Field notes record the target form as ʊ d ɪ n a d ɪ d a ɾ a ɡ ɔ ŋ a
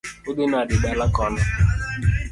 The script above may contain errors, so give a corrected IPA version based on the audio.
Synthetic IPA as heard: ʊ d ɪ n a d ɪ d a l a k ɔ n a